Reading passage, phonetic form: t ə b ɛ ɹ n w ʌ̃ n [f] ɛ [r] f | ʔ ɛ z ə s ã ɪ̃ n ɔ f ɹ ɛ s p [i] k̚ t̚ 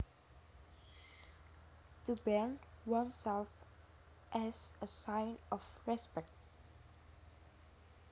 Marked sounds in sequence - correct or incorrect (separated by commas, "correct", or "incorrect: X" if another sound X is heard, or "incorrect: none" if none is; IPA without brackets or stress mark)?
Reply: incorrect: s, incorrect: l, incorrect: ɛ